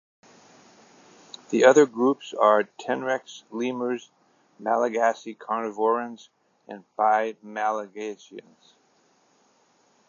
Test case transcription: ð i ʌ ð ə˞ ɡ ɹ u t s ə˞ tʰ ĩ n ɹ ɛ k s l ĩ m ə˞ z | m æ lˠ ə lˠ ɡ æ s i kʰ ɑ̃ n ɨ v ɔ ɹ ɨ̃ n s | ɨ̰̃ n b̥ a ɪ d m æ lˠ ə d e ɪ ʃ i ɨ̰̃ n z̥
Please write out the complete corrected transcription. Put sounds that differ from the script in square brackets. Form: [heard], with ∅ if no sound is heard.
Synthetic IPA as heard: ð i ʌ ð ə˞ ɡ ɹ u [p] s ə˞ tʰ [ɛ̃] n ɹ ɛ k s l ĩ m ə˞ z | m æ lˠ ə [∅] ɡ æ s i kʰ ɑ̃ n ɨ v ɔ ɹ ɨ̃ n [z] | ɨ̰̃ n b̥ a ɪ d m æ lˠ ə [ɡ] e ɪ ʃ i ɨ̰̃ n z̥